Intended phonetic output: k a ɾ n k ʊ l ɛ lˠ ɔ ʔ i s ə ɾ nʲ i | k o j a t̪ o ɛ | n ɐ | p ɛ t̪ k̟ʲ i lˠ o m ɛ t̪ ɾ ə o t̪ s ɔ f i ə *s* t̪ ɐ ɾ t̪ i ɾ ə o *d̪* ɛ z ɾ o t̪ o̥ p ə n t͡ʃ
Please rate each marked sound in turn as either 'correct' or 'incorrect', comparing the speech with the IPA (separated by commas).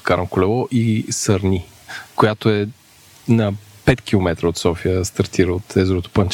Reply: correct, incorrect